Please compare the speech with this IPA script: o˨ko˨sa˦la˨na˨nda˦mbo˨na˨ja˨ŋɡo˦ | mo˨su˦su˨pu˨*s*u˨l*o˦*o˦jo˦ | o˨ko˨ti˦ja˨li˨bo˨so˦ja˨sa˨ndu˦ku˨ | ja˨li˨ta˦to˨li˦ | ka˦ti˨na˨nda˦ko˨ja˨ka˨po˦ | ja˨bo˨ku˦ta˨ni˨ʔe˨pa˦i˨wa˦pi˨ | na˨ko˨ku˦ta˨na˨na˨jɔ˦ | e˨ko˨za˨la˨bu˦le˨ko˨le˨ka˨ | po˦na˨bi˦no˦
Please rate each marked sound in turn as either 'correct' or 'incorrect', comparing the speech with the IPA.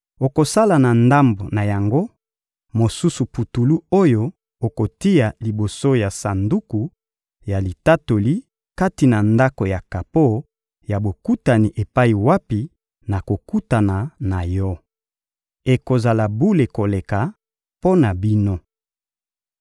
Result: incorrect: t, incorrect: u˦

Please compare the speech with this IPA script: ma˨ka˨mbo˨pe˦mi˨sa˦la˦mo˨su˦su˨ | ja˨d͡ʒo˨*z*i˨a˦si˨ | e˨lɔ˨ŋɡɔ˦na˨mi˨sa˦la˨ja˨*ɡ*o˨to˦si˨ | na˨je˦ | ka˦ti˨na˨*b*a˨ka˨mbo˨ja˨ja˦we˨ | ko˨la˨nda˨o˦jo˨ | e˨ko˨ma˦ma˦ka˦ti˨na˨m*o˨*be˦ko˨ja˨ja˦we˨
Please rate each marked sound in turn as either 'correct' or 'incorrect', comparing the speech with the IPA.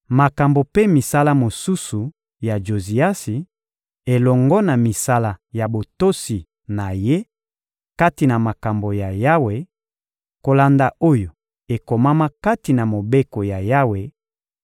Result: correct, incorrect: b, incorrect: m, correct

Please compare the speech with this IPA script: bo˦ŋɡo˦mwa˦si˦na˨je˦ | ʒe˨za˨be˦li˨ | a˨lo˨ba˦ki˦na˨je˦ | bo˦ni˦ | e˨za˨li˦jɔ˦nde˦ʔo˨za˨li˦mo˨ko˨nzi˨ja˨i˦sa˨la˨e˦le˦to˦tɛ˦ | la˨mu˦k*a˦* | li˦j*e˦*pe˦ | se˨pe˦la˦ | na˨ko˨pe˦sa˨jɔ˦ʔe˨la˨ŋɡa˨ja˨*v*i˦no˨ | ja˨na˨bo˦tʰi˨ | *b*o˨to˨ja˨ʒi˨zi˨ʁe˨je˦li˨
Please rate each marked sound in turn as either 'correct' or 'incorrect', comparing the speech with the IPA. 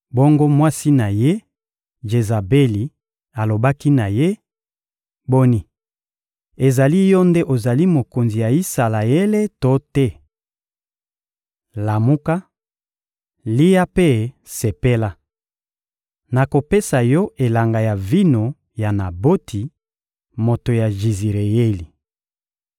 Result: correct, incorrect: a˦, correct, incorrect: m

